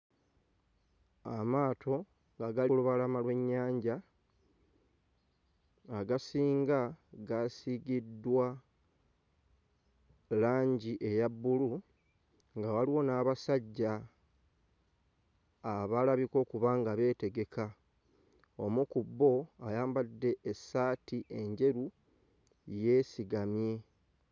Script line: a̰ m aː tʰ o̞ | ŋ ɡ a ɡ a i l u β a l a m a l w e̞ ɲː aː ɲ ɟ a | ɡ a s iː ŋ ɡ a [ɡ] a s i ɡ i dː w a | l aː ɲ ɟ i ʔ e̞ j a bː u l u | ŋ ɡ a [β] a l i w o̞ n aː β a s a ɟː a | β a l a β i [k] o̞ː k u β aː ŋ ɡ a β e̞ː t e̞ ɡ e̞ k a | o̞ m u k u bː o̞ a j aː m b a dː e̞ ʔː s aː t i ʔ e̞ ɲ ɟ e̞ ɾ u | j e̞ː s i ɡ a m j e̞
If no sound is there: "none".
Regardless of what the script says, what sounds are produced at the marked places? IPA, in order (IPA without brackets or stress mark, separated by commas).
ɡ, w, k